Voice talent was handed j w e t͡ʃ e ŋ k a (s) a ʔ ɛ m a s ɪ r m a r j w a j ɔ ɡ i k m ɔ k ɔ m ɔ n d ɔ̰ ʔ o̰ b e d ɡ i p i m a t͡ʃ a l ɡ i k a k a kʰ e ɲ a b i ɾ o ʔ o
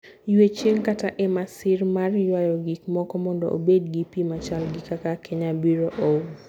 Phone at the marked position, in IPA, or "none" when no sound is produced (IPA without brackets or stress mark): t